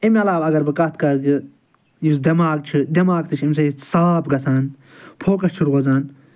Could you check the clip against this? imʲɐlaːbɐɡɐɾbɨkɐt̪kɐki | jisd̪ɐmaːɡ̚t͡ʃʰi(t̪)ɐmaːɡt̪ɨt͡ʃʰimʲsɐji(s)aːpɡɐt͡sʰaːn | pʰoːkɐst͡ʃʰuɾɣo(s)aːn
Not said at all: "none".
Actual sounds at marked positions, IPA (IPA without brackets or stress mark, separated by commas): d̪, s, z